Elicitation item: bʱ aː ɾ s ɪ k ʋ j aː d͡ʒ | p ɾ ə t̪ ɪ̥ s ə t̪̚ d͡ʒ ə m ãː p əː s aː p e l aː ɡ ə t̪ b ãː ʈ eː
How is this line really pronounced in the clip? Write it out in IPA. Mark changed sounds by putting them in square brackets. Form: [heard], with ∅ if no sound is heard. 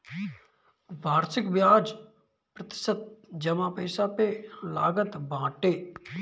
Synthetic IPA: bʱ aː ɾ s ɪ k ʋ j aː d͡ʒ | p ɾ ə t̪ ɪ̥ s ə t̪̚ d͡ʒ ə m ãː p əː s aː p e l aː ɡ ə t̪ b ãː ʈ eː